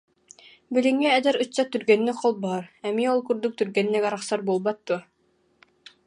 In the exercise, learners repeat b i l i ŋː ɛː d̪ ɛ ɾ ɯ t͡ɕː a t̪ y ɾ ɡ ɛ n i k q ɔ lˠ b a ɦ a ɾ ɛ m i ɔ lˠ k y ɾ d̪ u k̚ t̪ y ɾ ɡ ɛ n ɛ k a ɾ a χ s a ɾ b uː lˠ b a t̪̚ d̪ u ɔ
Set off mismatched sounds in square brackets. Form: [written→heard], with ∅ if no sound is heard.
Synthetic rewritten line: b i l i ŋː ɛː d̪ ɛ ɾ ɯ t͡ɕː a t̪ y ɾ ɡ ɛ [n→nː] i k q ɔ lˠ b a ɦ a ɾ ɛ m i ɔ lˠ k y ɾ d̪ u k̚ t̪ y ɾ ɡ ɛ [n→nː] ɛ k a ɾ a χ s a ɾ b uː lˠ b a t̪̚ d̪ u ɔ